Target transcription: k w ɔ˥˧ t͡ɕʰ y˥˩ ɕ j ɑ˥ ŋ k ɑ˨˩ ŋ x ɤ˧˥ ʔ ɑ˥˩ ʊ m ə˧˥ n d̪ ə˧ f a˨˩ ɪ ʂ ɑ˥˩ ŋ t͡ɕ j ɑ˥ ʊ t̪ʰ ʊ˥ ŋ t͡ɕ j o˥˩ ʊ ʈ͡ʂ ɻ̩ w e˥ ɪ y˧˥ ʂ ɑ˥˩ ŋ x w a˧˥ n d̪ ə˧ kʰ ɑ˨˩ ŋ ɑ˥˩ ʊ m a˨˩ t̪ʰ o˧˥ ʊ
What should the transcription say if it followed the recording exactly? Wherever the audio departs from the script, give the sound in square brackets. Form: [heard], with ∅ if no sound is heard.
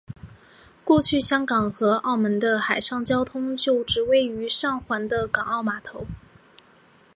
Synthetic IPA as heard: k w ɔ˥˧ t͡ɕʰ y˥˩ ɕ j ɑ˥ ŋ k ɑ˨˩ ŋ x ɤ˧˥ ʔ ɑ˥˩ ʊ m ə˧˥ n d̪ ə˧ [x] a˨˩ ɪ ʂ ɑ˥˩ ŋ t͡ɕ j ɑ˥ ʊ t̪ʰ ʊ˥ ŋ t͡ɕ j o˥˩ ʊ ʈ͡ʂ ɻ̩ w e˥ ɪ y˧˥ ʂ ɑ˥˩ ŋ x w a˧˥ n d̪ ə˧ [k] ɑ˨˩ ŋ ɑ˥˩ ʊ m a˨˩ t̪ʰ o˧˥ ʊ